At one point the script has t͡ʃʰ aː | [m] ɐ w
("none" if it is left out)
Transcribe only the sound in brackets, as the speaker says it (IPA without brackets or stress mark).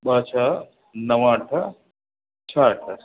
n